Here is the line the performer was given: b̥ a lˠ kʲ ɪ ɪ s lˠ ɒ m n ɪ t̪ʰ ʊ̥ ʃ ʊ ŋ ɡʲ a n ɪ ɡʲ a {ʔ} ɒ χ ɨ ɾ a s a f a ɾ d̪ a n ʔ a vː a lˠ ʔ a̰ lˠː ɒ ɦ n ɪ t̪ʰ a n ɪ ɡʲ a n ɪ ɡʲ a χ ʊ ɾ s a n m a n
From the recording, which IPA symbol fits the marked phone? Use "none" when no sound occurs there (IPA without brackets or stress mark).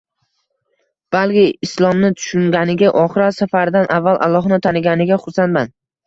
ʔ